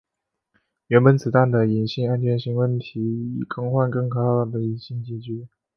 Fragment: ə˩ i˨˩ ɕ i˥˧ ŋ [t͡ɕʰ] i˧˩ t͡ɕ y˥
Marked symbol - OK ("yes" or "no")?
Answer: no